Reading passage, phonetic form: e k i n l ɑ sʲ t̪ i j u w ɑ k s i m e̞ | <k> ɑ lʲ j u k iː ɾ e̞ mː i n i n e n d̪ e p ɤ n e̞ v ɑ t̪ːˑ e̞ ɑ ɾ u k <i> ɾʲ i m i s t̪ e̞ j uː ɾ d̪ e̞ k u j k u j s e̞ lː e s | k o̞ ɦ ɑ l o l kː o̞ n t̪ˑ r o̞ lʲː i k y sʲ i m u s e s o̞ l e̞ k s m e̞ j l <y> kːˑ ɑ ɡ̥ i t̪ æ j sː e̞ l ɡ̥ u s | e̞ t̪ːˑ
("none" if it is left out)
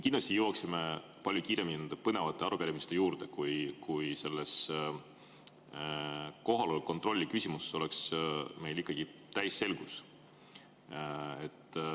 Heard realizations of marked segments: p, æ, i

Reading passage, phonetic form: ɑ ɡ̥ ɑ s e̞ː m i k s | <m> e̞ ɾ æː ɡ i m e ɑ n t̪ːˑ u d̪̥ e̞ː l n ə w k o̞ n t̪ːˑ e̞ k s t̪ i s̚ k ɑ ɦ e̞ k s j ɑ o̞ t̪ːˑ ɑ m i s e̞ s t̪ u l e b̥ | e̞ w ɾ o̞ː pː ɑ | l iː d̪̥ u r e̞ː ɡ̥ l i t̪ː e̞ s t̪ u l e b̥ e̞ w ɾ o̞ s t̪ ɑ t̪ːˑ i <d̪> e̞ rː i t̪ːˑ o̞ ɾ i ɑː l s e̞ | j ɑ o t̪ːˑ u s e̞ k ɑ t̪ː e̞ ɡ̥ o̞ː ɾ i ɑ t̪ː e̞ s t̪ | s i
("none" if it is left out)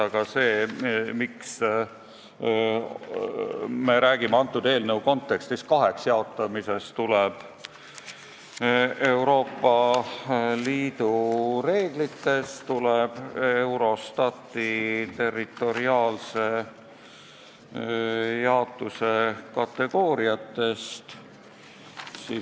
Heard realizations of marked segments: m, t̪

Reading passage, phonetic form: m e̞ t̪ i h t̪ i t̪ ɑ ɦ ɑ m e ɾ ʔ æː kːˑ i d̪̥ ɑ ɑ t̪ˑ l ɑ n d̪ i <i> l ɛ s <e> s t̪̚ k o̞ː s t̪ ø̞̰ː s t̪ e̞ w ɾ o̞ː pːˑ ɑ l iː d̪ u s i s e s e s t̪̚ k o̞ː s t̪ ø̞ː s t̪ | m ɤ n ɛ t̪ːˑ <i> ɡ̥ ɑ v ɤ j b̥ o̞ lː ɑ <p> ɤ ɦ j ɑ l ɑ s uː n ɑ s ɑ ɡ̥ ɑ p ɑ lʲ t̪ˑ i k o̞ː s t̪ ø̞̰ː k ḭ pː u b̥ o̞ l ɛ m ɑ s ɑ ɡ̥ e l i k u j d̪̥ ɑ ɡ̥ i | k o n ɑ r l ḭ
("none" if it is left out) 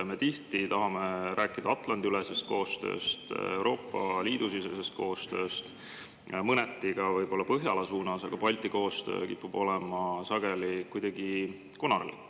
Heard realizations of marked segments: y, e, i, p

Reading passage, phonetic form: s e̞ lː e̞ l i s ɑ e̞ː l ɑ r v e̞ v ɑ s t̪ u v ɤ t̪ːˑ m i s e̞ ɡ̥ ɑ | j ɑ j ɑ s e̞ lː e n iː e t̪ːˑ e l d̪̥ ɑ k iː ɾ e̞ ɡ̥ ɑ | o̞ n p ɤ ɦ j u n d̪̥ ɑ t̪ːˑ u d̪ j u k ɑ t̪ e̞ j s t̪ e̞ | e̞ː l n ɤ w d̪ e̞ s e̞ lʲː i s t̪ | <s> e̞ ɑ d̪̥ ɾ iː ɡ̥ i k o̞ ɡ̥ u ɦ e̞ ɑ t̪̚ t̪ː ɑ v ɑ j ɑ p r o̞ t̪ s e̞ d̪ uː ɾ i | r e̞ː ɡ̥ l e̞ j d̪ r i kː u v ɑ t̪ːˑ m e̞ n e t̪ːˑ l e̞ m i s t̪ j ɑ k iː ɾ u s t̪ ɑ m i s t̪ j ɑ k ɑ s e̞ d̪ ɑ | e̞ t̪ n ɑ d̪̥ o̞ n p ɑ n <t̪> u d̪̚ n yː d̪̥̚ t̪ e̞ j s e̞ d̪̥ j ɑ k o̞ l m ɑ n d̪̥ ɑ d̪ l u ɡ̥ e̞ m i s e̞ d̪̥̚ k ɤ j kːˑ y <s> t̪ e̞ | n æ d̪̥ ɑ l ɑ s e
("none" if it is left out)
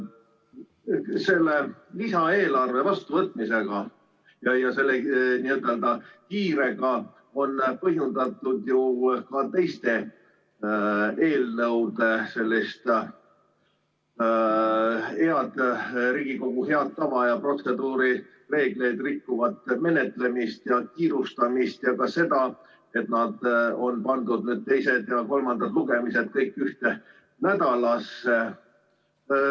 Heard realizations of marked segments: h, d̪, h

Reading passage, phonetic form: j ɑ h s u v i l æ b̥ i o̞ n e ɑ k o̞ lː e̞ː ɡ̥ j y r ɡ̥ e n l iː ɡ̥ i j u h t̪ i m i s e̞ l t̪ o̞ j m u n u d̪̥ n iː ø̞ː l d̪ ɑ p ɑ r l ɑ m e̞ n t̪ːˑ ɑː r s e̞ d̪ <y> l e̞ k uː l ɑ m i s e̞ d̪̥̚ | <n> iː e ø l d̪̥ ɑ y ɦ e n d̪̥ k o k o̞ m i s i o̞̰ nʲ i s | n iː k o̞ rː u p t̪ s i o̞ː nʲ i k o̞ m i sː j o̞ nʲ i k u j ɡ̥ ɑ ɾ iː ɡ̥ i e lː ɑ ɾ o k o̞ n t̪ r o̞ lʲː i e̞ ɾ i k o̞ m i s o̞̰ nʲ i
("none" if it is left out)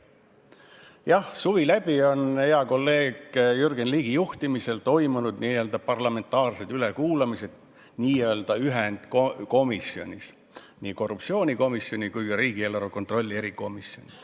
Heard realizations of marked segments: y, n

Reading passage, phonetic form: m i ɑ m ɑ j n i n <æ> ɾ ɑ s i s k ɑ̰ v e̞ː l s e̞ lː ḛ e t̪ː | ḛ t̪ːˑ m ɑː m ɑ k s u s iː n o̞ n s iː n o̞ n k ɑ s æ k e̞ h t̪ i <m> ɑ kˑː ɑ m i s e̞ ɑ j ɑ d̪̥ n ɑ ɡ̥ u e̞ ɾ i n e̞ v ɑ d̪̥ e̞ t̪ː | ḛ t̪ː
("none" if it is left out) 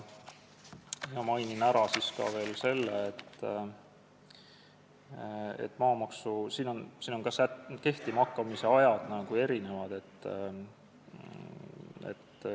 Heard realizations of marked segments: æ, m

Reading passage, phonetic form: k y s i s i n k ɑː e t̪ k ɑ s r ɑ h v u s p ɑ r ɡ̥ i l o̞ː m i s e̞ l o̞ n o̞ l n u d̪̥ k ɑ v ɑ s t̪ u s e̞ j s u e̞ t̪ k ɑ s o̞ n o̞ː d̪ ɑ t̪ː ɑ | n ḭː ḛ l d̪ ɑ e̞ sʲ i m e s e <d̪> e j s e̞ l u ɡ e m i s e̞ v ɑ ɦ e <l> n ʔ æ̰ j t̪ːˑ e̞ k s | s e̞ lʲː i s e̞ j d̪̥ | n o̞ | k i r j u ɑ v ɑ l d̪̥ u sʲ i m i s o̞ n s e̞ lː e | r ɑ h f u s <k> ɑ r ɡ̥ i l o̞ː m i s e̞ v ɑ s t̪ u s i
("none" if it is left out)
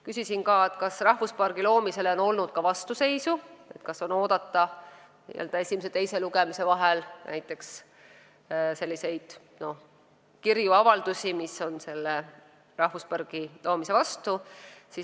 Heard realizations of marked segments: t̪, l, p

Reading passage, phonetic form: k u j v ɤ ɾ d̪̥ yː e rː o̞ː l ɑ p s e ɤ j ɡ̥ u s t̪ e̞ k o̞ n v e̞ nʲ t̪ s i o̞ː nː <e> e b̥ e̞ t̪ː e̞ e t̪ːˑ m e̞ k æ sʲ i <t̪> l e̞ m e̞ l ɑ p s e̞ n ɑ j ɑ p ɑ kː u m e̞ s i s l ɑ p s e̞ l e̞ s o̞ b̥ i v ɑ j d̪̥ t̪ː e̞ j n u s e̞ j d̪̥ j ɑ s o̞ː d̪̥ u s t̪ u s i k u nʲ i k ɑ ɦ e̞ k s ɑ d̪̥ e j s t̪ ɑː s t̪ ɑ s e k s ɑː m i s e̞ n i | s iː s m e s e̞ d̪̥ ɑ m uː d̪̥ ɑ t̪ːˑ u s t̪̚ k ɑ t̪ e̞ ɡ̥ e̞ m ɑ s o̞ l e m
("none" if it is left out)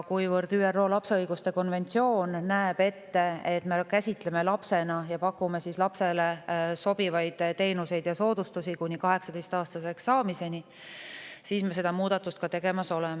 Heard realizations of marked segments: æ, t̪

